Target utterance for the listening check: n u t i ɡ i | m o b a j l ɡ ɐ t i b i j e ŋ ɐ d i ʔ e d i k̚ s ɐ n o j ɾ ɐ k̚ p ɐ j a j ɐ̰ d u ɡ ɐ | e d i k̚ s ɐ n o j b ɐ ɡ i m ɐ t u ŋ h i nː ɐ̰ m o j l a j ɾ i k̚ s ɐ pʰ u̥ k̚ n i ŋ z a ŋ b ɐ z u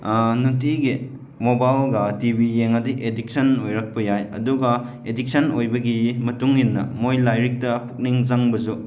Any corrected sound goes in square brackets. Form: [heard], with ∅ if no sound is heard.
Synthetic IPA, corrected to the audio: n u t i ɡ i | m o b a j l ɡ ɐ t i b i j e ŋ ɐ d i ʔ e d i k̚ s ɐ n o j ɾ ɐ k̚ p ɐ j a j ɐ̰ d u ɡ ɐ | e d i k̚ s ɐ n o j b ɐ ɡ i m ɐ t u ŋ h i nː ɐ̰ m o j l a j ɾ i k̚ [t] ɐ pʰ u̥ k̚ n i ŋ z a ŋ b ɐ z u

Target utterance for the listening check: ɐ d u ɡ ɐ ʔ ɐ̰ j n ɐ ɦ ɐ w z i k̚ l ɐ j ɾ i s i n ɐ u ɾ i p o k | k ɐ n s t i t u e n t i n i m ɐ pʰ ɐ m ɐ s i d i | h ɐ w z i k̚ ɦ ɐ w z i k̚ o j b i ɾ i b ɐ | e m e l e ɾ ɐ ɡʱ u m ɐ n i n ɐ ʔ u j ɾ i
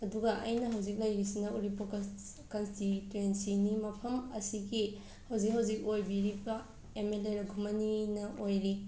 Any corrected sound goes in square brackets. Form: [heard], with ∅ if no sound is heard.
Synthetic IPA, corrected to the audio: ɐ d u ɡ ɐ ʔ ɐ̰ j n ɐ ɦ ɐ w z i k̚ l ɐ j ɾ i s i n ɐ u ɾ i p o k | k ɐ n s t i t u e n [s] i n i m ɐ pʰ ɐ m ɐ s i [ɡ] i | h ɐ w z i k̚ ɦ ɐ w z i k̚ o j b i ɾ i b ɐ | e m e l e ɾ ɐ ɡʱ u m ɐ n i n ɐ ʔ [o] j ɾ i

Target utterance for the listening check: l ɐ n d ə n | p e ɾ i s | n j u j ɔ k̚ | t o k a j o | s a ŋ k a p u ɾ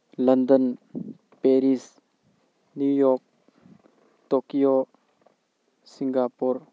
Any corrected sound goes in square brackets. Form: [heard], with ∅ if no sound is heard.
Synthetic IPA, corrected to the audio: l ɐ n d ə n | p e ɾ i s | n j u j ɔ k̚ | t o k [i] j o | s [i] ŋ [ɡ] a p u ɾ

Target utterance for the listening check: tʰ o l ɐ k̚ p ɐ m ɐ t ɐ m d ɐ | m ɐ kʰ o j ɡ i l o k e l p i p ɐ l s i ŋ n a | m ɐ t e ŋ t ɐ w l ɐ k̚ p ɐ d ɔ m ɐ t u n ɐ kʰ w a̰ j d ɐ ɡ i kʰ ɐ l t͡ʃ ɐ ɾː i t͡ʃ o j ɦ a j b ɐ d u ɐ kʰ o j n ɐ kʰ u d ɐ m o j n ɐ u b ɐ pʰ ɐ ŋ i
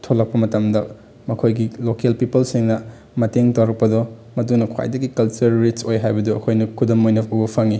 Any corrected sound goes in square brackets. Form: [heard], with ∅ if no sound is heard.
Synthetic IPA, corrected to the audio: tʰ o l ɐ k̚ p ɐ m ɐ t ɐ m d ɐ | m ɐ kʰ o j ɡ i l o k e l p i p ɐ l s i ŋ n [ɐ] | m ɐ t e ŋ t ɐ w [ɾ] ɐ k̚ p ɐ d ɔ m ɐ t u n ɐ kʰ w a̰ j d ɐ ɡ i [k] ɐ l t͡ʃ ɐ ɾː i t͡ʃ o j ɦ a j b ɐ d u ɐ kʰ o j n ɐ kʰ u d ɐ m o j n ɐ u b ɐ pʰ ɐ ŋ i

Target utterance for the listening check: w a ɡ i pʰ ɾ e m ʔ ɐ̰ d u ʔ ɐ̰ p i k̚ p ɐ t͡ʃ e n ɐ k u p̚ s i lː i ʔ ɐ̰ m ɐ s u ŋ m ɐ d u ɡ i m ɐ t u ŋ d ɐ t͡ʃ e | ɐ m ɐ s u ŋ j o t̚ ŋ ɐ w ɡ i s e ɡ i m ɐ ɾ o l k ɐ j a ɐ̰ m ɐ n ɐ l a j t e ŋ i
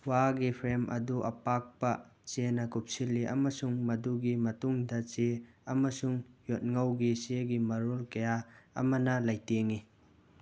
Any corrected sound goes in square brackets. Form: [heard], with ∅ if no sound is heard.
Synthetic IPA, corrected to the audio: w a ɡ i pʰ ɾ e m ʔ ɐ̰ d u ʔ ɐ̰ p [a] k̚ p ɐ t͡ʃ e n ɐ k u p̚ s i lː i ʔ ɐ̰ m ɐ s u ŋ m ɐ d u ɡ i m ɐ t u ŋ d ɐ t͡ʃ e | ɐ m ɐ s u ŋ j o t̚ ŋ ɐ w ɡ i s e ɡ i m ɐ ɾ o l k ɐ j a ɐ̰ m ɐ n ɐ l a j t e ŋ i

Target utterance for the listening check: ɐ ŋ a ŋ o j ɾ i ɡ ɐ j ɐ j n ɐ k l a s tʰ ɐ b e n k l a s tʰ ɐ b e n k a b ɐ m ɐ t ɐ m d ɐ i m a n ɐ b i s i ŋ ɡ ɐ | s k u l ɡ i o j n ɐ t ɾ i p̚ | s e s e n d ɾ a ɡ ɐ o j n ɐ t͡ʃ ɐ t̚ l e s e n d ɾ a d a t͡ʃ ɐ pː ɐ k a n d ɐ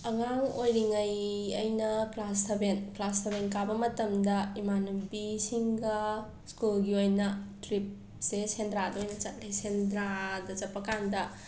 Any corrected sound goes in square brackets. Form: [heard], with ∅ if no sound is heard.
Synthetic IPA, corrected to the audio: ɐ ŋ a ŋ o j ɾ i [ŋ] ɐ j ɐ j n ɐ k l a s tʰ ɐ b e n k l a s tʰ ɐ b e n k a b ɐ m ɐ t ɐ m d ɐ i m a n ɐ b i s i ŋ ɡ ɐ | s k u l ɡ i o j n ɐ t ɾ i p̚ | s e s e n d ɾ a [d] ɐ o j n ɐ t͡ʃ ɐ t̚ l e s e n d ɾ a d [ɐ] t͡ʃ ɐ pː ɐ k a n d ɐ

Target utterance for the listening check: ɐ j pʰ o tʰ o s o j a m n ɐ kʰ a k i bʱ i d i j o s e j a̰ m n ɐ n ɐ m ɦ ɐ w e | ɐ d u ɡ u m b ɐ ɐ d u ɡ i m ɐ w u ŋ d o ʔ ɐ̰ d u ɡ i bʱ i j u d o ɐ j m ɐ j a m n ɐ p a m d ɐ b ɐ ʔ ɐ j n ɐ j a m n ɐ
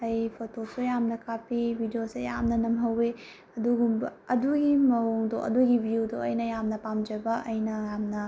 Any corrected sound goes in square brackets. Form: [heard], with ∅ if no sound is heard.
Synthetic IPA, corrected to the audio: ɐ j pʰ o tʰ o s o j a m n ɐ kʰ a [p] i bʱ i d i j o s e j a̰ m n ɐ n ɐ m ɦ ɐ w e | ɐ d u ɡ u m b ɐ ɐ d u ɡ i m ɐ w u ŋ d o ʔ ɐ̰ d u ɡ i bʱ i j u d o ɐ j [n] ɐ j a m n ɐ p a m [d͡ʒ] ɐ b ɐ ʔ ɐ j n ɐ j a m n ɐ

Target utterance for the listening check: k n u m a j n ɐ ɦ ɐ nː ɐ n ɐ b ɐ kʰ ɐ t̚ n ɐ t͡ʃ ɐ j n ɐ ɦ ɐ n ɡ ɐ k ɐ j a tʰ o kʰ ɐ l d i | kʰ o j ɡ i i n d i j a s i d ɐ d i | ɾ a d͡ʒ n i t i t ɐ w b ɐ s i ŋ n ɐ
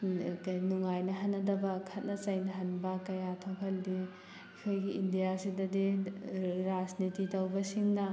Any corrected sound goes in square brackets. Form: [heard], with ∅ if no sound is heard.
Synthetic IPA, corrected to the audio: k n u [ŋ] a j n ɐ ɦ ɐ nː ɐ [d] ɐ b ɐ kʰ ɐ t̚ n ɐ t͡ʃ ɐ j n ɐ ɦ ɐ n [b] ɐ k ɐ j a tʰ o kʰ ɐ l d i | kʰ o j ɡ i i n d i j a s i d ɐ d i | ɾ a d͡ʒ n i t i t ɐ w b ɐ s i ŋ n ɐ

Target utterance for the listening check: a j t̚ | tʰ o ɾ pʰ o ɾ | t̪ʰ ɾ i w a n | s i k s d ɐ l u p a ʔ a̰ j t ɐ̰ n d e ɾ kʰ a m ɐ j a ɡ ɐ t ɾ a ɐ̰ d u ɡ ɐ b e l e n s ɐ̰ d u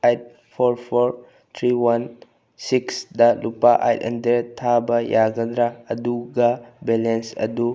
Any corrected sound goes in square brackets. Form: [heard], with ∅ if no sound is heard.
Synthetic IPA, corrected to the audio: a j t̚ | [pʰ] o ɾ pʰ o ɾ | t̪ʰ ɾ i w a n | s i k s d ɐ l u p a ʔ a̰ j t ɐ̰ n d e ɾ [tʰ] a [b] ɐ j a ɡ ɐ [d] ɾ a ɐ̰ d u ɡ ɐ b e l e n s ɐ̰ d u

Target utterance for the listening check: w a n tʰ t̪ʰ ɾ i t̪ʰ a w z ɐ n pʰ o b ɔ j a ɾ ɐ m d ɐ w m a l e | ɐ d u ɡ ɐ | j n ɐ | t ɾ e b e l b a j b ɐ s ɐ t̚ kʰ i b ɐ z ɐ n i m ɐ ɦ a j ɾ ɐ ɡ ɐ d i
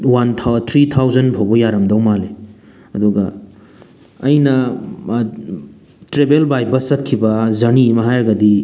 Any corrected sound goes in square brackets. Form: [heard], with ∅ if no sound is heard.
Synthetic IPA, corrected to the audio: w a n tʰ t̪ʰ ɾ i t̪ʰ a w z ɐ n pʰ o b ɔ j a ɾ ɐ m d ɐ w m a l e | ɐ d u ɡ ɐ | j n ɐ | t ɾ e b e l b a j b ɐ s ɐ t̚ kʰ i b ɐ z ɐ n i m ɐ ɦ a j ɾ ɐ ɡ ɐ d i

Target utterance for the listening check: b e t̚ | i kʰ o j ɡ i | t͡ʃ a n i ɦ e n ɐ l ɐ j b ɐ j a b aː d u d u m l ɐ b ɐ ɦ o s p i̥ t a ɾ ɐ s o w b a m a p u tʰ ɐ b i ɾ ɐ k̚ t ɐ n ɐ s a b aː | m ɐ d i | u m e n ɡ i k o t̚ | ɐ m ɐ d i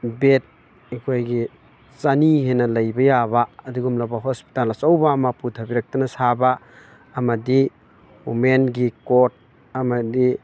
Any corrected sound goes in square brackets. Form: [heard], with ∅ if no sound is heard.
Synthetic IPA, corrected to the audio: b e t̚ | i kʰ o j ɡ i | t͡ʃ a n i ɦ e n ɐ l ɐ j b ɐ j a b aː d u [ɡ] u m l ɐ b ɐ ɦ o s p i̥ t a [l] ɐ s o w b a m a p u tʰ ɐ b i ɾ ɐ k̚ t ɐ n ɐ s a b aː | m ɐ d i | u m e n ɡ i k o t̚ | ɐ m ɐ d i

